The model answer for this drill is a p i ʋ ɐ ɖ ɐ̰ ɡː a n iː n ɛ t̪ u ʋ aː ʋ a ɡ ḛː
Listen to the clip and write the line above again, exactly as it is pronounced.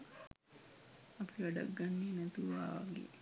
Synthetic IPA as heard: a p i ʋ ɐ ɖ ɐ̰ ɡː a nː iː n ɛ t̪ u ʋ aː ʋ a ɡ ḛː